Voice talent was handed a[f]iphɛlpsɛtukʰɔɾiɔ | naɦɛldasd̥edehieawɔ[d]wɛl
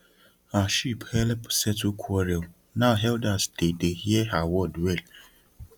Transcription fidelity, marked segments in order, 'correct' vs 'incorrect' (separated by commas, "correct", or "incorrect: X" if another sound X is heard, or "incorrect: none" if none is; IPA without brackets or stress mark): incorrect: ʃ, correct